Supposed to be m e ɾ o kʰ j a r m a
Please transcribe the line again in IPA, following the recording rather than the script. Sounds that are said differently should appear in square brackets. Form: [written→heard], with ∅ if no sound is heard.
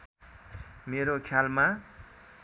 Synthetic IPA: m e ɾ o kʰ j a [r→l] m a